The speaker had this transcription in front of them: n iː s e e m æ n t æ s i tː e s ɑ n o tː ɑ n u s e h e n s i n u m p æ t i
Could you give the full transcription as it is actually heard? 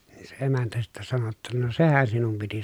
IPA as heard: n iː s e e m æ n t æ s i tː æ s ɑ n o tː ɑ n o s e h æ n s i n u m p i t i